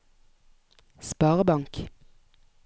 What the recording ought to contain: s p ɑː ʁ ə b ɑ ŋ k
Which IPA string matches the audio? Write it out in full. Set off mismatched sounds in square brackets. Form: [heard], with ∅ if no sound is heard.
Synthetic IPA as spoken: s p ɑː ʁ ə b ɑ ŋ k